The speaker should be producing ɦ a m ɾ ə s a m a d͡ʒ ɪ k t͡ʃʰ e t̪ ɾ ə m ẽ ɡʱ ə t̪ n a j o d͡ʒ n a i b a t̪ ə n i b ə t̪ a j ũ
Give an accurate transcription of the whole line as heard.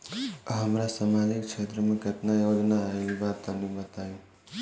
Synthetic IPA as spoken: ɦ ə m ɾ a s a m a d͡ʒ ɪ k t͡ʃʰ e t̪ ɾ ə m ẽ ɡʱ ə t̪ n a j o d͡ʒ n a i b a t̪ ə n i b ə t̪ a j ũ